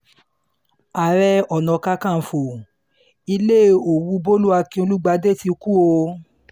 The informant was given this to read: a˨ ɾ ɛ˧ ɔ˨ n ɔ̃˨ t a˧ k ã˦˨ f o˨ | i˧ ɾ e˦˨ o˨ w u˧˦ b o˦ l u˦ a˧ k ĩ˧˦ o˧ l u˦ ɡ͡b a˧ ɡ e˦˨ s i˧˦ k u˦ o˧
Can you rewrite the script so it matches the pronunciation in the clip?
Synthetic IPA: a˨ ɾ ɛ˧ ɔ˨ n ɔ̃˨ k a˧ k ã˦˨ f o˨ | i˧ l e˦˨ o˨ w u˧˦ b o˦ l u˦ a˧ k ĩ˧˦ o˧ l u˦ ɡ͡b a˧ d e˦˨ t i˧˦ k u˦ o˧